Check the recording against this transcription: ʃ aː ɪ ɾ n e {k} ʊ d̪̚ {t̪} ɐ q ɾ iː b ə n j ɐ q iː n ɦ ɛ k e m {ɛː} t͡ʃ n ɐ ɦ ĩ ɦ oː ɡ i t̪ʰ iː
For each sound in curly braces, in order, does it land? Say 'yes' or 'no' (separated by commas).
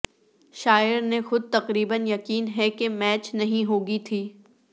no, yes, yes